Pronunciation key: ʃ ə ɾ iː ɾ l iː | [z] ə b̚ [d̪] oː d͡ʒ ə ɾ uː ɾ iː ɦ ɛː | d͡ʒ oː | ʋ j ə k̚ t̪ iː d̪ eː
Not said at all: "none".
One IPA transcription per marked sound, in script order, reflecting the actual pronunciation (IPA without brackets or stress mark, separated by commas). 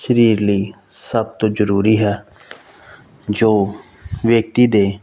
s, t̪